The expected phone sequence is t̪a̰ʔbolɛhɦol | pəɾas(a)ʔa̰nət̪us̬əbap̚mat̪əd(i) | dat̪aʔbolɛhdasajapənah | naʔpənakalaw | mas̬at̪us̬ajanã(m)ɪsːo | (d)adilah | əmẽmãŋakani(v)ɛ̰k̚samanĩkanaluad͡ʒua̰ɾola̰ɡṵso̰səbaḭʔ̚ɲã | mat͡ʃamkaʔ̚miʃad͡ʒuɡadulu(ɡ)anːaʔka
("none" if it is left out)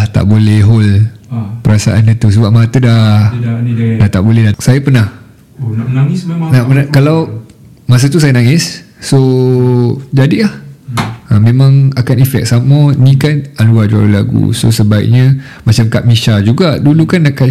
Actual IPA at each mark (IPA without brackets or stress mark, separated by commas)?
a, a, ŋ, d͡ʒ, f, k